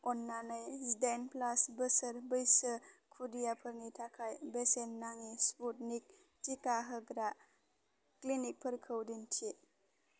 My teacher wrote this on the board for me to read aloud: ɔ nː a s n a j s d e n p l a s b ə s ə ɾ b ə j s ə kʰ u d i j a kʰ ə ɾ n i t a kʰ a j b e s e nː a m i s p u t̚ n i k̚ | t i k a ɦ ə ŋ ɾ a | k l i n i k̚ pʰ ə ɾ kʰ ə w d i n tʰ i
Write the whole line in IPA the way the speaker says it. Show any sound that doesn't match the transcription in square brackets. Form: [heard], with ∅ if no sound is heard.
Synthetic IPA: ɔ nː a [∅] n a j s d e n p l a s b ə s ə ɾ b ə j s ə kʰ u d i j a [pʰ] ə ɾ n i [tʰ] a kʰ a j b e s e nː a [ŋ] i s p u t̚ n i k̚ | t i k a ɦ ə [ɡ] ɾ a | k l i n i k̚ pʰ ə ɾ kʰ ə w d i n tʰ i